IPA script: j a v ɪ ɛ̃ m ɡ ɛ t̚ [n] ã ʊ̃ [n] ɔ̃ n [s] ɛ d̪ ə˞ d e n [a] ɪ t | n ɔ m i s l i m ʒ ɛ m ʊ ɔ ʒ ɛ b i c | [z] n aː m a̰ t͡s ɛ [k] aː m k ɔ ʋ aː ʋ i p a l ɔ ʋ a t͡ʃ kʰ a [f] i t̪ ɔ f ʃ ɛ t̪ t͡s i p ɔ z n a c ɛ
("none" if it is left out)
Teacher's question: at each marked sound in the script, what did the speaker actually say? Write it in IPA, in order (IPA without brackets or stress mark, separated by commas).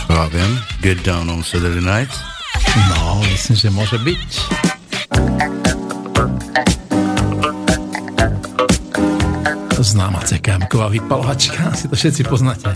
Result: d, n, s, a, z, k, s